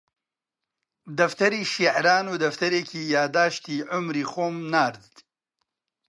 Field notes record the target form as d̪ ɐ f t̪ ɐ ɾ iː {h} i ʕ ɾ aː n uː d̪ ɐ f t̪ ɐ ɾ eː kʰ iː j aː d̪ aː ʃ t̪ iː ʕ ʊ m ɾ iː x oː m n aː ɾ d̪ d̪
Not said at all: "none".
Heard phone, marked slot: ʃ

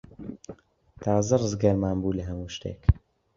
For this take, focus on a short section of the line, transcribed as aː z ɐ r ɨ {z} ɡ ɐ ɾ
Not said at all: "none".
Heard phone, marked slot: z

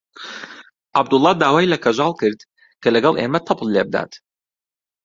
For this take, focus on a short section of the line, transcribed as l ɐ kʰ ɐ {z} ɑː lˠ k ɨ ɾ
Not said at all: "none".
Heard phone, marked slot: ʒ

